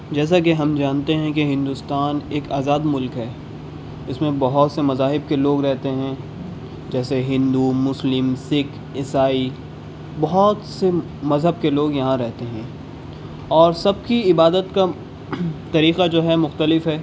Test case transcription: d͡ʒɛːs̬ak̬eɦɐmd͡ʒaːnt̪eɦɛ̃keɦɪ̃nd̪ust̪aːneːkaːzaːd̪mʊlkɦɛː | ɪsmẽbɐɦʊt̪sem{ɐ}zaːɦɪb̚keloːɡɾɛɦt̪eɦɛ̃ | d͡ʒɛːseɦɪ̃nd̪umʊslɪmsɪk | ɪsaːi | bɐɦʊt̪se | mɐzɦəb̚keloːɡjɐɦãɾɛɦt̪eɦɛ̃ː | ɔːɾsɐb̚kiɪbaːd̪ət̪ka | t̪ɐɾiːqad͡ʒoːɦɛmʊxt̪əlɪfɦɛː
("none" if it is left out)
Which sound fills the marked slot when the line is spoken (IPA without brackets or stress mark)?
ɐ